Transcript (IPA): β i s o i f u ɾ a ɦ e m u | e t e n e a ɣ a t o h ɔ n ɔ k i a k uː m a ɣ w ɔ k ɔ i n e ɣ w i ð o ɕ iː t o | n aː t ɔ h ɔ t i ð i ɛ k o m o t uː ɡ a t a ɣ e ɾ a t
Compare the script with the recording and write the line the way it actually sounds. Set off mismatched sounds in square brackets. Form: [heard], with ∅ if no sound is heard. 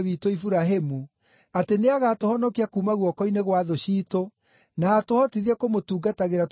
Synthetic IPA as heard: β i [t] o i f u ɾ a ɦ e m u | [a] t e n e a ɣ a t o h ɔ n ɔ k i a k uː m a ɣ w ɔ k ɔ i n e ɣ w [a] ð o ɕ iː t o | n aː t [o] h ɔ t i ð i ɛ k o m o t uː ɡ a t a ɣ e ɾ a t